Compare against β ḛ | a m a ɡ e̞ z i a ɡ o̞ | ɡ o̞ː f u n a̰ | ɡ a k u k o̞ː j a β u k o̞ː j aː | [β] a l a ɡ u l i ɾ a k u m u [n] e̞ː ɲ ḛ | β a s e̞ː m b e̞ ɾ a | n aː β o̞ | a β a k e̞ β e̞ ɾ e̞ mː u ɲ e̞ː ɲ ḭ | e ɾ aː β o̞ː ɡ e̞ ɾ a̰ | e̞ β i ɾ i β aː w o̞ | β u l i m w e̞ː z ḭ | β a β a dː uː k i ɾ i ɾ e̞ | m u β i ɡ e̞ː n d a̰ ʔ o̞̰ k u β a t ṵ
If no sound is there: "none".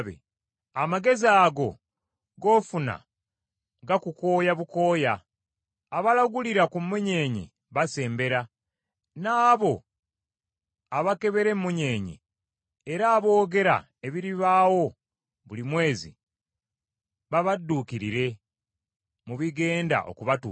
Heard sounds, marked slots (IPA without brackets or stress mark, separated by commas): β, ɲ